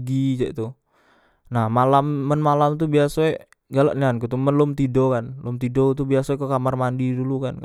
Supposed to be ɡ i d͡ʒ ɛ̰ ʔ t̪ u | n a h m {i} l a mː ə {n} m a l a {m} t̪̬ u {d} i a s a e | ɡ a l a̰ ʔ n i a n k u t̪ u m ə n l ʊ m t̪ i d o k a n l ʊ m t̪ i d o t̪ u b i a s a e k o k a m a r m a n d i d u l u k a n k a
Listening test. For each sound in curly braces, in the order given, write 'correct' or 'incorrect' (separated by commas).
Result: incorrect, correct, correct, incorrect